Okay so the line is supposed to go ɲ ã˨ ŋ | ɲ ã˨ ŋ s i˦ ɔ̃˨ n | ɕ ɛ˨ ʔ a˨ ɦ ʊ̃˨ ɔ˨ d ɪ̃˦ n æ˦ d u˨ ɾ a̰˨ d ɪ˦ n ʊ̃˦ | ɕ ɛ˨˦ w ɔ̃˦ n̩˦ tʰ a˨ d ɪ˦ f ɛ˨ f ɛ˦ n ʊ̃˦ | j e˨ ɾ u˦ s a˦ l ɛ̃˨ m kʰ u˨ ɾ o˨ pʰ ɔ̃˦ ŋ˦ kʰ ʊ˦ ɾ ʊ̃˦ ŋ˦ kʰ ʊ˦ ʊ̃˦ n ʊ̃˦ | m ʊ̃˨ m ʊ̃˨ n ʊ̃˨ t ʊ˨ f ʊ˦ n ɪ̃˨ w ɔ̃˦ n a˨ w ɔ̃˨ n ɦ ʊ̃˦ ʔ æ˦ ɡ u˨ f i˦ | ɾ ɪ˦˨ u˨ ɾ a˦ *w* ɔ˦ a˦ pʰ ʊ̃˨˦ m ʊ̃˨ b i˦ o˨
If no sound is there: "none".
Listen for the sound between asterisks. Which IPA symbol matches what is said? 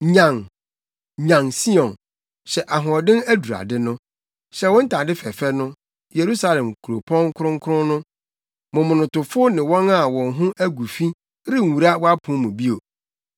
w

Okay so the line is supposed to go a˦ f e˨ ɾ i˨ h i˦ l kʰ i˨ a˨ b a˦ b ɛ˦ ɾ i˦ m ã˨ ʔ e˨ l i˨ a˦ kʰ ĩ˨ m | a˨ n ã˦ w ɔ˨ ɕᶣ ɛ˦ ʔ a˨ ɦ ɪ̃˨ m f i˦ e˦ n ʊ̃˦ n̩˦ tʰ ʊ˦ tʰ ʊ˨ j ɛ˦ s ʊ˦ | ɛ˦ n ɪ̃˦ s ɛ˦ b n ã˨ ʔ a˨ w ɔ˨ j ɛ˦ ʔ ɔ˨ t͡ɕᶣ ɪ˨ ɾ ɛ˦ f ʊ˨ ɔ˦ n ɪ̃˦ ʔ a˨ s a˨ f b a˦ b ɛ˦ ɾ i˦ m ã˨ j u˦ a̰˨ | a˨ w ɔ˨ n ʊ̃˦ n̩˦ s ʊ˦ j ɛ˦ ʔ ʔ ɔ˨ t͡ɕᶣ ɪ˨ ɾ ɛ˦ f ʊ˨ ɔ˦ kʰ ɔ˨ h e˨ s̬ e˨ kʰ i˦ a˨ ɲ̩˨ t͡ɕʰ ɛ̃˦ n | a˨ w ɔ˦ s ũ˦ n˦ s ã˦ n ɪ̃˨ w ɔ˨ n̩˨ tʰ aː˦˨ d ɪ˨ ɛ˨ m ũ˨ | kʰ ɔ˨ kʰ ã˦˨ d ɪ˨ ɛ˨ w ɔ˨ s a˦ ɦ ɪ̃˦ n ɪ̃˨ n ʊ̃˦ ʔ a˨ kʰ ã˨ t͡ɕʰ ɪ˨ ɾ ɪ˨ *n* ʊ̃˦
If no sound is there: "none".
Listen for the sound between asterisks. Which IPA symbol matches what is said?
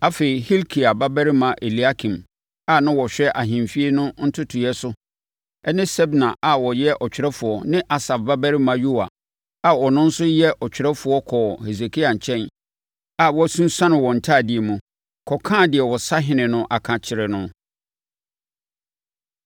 n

